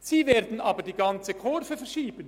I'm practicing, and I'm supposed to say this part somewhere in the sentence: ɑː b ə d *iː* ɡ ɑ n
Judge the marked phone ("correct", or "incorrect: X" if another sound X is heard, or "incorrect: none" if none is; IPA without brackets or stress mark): correct